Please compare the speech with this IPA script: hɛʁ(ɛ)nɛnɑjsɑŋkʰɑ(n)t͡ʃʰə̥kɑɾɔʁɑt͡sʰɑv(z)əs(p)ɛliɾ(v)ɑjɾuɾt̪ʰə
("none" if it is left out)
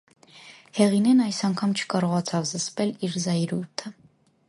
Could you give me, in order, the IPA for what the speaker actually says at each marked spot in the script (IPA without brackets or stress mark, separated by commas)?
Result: i, m, z, p, z